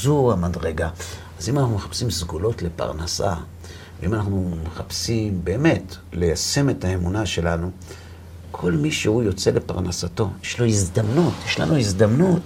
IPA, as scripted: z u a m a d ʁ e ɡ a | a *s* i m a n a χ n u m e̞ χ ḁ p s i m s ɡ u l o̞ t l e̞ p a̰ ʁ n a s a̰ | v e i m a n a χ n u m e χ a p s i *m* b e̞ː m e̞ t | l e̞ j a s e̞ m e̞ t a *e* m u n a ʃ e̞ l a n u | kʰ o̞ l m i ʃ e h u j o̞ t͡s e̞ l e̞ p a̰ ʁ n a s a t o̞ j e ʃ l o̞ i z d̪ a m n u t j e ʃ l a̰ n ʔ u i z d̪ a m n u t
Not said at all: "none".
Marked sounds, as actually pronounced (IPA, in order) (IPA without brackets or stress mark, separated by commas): z, m, e